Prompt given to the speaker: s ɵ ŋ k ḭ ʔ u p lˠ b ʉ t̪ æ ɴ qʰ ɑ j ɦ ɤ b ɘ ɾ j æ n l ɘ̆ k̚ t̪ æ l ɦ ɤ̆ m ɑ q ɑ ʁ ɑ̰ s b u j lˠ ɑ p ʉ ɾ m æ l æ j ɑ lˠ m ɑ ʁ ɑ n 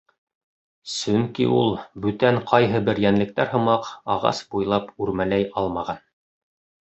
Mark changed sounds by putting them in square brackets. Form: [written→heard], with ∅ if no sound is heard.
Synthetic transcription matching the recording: s ɵ ŋ k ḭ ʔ u [p→∅] lˠ b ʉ t̪ æ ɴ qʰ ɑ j ɦ ɤ b ɘ ɾ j æ n l ɘ̆ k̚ t̪ æ [l→ɾ] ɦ ɤ̆ m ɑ q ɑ ʁ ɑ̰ s b u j lˠ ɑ p ʉ ɾ m æ l æ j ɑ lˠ m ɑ ʁ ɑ n

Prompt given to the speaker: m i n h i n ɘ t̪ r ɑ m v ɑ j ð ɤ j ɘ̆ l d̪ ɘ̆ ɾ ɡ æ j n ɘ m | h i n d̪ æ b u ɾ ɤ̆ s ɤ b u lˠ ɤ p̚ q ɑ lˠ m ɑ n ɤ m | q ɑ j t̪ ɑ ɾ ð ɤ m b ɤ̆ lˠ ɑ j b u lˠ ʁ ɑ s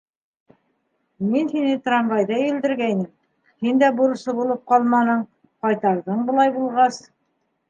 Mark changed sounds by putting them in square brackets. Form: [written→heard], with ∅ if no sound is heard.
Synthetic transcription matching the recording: m i n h i n ɘ t̪ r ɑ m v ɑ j ð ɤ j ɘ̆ l d̪ ɘ̆ ɾ ɡ æ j n ɘ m | h i n d̪ æ b u ɾ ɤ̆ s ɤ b u lˠ ɤ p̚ q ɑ lˠ m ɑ n ɤ [m→ɴ] | q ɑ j t̪ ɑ ɾ ð ɤ [m→ɴ] b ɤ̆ lˠ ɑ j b u lˠ ʁ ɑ s

